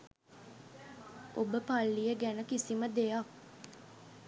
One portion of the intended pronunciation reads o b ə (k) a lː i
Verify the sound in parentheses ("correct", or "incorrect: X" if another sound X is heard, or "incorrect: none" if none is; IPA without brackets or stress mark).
incorrect: p